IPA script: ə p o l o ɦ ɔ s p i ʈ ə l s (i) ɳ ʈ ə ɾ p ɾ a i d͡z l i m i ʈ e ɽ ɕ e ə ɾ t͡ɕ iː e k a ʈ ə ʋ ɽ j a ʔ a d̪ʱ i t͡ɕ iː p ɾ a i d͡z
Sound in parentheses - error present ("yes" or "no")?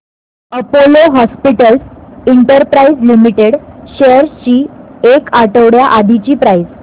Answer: no